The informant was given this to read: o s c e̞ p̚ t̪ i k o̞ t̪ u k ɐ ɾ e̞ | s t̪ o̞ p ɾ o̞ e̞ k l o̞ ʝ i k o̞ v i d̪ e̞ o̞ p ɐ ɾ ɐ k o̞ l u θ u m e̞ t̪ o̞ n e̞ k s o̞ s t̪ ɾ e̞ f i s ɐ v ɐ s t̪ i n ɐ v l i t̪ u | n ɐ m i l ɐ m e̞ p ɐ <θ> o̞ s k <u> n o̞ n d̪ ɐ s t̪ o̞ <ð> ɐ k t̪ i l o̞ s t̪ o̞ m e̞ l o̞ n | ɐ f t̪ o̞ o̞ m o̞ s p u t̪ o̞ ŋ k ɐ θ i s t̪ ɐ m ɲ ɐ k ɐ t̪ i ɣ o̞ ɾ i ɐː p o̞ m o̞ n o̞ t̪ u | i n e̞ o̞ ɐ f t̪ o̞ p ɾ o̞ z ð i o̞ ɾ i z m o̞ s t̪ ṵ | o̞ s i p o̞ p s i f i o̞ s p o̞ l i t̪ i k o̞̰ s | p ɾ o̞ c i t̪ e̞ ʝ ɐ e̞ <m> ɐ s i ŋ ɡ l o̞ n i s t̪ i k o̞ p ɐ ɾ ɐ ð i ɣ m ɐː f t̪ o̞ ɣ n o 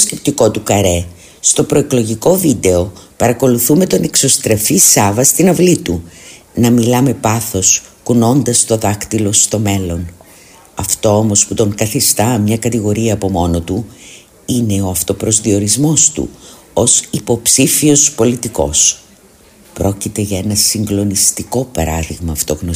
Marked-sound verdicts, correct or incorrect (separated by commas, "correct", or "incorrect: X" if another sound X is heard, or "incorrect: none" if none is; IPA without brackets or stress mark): correct, correct, correct, incorrect: n